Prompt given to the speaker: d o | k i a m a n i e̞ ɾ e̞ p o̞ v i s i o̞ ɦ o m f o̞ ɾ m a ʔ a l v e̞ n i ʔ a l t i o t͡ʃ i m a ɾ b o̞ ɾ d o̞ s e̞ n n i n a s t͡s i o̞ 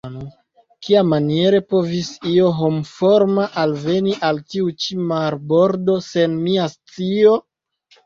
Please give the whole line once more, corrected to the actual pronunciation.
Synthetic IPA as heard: n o | k i a m a n i e̞ ɾ e̞ p o̞ v i s i o̞ ɦ o m f o̞ ɾ m a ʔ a l v e̞ n i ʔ a l t i u t͡ʃ i m a ɾ b o̞ ɾ d o̞ s e̞ n m i a s t͡s i o̞